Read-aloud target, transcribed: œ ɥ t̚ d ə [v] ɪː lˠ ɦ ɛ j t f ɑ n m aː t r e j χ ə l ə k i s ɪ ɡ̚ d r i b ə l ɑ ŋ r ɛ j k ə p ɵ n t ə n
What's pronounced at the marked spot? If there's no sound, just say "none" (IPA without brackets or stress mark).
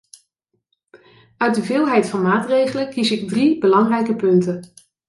v